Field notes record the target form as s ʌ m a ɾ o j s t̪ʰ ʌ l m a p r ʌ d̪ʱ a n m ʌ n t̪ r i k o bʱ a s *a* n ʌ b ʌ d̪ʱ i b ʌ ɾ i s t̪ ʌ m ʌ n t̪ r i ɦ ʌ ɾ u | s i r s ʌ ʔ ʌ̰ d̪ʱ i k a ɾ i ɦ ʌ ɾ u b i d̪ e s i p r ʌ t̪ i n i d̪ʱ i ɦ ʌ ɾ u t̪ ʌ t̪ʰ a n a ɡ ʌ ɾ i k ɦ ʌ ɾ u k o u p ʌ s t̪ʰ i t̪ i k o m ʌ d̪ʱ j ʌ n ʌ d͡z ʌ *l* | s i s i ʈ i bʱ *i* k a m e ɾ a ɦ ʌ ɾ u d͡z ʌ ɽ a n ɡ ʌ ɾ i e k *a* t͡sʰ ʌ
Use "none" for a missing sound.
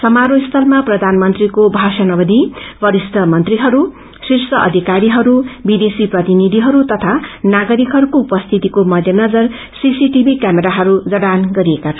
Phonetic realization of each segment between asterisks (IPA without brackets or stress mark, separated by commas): ʌ, r, i, a